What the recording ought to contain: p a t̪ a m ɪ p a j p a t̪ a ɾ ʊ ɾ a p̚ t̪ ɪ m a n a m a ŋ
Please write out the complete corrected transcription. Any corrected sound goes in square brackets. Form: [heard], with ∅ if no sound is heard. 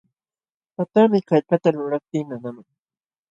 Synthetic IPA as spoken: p a t̪ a m ɪ [k] a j p a t̪ a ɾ ʊ ɾ a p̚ t̪ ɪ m a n a m a ŋ